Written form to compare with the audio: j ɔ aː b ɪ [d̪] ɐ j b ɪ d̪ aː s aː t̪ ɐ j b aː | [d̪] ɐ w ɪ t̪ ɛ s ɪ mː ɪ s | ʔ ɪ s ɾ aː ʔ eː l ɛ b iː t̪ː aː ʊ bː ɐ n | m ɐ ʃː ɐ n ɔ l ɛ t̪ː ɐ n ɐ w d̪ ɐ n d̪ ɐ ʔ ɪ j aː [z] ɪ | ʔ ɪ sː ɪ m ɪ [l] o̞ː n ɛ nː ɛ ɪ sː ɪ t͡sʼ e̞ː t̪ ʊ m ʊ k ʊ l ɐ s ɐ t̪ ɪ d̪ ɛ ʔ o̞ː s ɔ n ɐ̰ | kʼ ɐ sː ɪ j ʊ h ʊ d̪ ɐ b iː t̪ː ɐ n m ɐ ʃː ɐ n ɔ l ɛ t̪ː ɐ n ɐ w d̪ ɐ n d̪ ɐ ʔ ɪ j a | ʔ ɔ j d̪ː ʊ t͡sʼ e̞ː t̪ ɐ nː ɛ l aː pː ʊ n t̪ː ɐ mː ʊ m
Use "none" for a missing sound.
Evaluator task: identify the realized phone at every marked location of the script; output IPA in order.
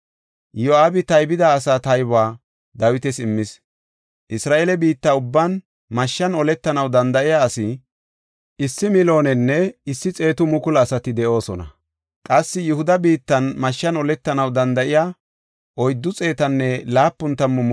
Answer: t̪, d̪, s, l

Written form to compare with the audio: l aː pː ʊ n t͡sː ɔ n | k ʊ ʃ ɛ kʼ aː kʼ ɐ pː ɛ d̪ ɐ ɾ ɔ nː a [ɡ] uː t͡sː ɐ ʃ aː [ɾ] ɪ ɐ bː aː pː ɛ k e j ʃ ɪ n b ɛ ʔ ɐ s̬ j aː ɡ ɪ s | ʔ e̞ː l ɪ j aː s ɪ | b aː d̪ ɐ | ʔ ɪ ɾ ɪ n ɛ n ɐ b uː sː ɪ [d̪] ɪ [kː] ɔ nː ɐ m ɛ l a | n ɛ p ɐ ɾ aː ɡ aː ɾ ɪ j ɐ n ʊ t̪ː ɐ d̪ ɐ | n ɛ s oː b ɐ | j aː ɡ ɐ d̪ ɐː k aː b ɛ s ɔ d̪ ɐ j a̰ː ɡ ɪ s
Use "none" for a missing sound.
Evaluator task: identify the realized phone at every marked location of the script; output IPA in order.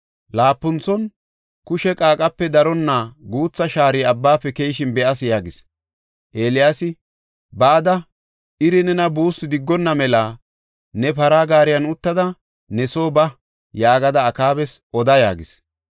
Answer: ɡ, ɾ, d̪, ɡː

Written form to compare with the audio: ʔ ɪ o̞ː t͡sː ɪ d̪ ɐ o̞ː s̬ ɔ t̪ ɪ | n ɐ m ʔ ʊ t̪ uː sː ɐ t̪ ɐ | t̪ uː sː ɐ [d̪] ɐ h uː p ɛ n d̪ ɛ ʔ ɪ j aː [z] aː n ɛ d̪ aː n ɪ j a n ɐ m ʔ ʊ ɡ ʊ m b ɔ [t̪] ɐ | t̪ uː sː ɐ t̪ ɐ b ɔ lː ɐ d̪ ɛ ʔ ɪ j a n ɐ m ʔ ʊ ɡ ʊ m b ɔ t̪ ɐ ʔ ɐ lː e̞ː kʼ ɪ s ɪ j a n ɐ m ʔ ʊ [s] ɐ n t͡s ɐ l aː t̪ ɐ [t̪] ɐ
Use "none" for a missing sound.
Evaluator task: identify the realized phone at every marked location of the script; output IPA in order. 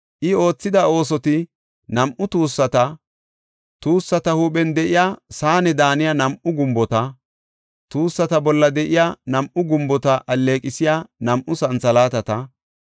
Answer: t̪, s, t̪, s, t̪

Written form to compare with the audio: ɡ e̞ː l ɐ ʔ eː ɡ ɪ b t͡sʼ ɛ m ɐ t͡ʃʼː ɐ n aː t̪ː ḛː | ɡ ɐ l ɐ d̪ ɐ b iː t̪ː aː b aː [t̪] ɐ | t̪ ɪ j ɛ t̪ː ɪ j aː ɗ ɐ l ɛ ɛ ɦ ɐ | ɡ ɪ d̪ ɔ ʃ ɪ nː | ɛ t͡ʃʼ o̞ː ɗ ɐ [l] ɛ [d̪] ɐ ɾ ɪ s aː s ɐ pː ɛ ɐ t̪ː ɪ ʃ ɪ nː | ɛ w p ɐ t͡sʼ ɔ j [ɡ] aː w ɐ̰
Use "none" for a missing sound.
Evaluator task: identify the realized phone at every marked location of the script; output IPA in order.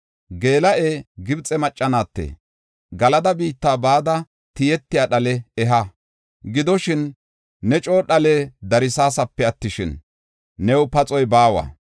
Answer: d̪, l, d̪, b

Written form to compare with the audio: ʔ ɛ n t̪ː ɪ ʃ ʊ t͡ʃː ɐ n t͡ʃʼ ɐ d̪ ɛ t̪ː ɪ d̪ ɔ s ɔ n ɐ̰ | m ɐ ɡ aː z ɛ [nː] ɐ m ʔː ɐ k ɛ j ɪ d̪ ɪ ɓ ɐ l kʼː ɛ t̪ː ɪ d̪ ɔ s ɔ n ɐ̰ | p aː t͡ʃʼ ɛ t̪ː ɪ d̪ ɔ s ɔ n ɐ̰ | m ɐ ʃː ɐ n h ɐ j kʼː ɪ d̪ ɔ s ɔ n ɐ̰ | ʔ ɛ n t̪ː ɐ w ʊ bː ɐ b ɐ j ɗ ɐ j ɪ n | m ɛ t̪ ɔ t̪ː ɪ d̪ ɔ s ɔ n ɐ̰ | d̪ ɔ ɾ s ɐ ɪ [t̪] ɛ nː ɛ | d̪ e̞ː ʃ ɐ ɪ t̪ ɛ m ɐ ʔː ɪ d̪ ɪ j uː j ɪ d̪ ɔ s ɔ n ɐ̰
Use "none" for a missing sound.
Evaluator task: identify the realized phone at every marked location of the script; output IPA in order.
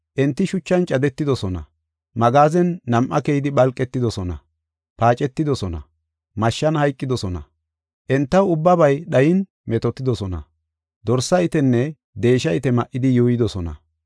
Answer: nː, t̪

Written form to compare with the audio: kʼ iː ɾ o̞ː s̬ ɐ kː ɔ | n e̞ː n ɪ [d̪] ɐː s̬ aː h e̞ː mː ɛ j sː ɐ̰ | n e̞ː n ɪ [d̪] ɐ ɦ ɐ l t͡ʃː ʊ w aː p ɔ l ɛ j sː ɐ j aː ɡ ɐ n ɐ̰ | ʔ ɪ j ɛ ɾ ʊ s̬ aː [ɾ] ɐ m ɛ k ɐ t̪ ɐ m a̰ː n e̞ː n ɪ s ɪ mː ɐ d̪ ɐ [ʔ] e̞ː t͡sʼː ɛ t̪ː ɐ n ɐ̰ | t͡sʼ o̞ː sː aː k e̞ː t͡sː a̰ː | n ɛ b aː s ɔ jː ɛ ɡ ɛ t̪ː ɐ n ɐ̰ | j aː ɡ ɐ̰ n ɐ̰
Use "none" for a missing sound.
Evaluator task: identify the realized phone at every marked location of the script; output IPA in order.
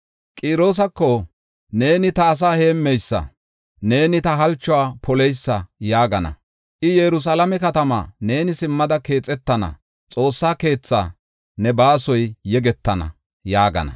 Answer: t̪, t̪, l, k

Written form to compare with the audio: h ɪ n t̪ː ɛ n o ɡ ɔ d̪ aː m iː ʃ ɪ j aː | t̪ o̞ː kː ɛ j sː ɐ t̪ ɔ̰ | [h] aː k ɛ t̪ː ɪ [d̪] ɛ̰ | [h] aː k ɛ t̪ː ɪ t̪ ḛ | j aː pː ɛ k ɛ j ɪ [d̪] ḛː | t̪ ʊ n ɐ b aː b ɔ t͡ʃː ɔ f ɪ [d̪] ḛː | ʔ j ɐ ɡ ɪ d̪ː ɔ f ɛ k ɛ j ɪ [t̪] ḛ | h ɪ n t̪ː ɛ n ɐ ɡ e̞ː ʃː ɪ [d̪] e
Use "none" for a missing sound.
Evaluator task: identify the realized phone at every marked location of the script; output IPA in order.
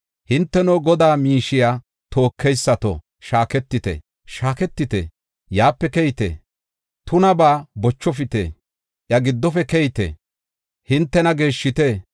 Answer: ʃ, t̪, ʃ, t̪, t̪, t̪, t̪

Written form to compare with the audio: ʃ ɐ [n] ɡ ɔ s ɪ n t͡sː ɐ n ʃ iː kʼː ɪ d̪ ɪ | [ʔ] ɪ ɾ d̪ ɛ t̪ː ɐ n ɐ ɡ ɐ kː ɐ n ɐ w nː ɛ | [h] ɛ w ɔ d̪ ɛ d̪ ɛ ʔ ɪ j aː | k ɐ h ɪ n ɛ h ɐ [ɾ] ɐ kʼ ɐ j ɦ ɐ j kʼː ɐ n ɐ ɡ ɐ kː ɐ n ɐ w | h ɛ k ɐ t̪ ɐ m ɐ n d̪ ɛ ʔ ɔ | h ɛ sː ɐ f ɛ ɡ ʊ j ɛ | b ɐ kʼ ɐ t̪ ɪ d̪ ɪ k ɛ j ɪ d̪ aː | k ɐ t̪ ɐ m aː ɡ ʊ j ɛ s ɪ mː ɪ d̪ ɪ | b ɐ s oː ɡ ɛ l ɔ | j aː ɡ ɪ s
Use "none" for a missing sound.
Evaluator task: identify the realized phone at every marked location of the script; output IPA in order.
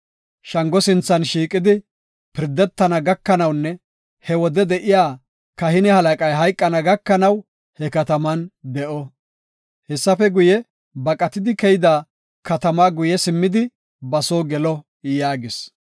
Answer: ŋ, p, h, l

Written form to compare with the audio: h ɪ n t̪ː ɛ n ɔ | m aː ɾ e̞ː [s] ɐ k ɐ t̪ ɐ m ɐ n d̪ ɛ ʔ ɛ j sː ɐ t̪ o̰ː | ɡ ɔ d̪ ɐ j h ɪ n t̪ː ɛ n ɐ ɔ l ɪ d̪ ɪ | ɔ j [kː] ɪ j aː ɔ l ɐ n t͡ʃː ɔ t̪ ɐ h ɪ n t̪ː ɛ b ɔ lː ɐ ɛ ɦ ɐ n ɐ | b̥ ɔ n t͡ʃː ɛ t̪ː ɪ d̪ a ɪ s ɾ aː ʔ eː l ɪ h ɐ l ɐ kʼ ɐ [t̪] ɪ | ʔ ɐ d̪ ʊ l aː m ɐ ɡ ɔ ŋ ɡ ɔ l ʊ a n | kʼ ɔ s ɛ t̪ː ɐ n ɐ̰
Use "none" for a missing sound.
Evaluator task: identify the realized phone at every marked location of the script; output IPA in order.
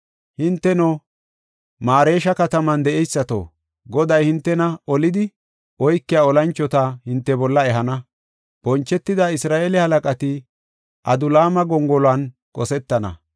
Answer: ʃ, kː, t̪

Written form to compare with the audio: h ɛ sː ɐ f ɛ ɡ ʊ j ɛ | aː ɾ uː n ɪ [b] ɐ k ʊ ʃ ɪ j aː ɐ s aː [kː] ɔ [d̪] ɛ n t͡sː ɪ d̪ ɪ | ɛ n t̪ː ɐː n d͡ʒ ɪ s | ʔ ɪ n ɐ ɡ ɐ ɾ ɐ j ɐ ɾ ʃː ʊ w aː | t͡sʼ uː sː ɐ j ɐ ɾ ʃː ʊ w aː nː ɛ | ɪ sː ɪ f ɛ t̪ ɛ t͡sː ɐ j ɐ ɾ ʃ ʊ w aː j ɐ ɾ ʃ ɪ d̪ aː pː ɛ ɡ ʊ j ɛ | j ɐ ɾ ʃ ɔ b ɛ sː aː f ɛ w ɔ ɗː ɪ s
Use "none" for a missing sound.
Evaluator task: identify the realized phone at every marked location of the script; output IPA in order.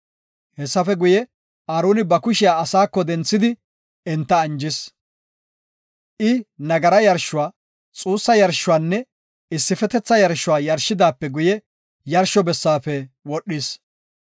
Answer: b, kː, d̪

